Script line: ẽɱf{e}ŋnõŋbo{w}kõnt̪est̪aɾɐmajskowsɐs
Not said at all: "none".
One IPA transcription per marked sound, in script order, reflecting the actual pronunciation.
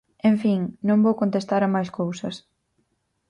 i, w

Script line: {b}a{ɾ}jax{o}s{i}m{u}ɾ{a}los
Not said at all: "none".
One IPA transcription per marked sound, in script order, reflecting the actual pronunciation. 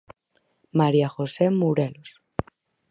m, ɾ, o, e, u, e

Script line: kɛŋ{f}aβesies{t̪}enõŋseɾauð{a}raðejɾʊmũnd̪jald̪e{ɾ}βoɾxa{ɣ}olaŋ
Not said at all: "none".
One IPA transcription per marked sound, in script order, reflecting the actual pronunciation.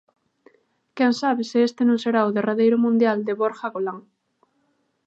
s, t̪, e, none, ɣ

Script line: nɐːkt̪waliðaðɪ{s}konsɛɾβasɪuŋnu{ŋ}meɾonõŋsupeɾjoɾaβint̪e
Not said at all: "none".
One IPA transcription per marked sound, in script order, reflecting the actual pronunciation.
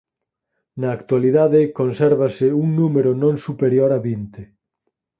none, none

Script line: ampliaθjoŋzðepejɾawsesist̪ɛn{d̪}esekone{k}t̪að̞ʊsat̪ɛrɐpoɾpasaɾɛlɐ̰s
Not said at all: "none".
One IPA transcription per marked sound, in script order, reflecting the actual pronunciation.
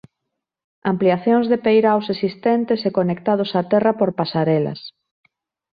t̪, k

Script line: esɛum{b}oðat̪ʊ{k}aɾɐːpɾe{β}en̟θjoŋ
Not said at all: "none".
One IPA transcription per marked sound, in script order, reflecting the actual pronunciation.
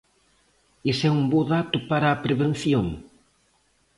b, p, β

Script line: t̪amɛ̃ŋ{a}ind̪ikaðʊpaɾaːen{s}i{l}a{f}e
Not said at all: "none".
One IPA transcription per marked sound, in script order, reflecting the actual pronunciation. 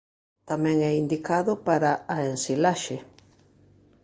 ɛ, s, l, ʃ

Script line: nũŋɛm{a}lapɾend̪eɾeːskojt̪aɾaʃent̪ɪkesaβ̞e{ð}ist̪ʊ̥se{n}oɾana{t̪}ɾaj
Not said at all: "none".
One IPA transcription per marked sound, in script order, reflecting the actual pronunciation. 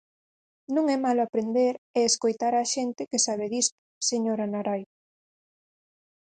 a, ð, ɲ, none

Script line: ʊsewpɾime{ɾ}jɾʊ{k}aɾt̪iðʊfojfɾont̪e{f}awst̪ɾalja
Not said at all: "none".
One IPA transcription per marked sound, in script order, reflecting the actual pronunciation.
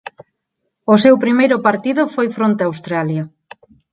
none, p, none

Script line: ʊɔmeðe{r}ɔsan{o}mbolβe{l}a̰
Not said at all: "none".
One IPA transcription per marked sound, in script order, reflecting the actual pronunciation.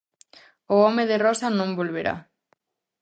r, õ, ɾ

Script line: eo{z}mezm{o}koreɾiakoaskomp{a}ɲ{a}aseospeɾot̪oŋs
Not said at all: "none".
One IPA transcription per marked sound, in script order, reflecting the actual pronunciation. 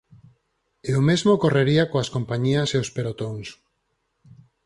none, o, a, i

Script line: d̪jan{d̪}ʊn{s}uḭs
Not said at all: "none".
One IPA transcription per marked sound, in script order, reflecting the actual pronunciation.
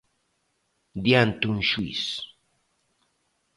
t̪, ʃ

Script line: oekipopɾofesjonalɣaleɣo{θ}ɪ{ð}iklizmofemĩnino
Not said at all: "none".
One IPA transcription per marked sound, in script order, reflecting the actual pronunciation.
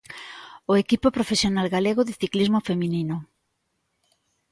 ð, θ

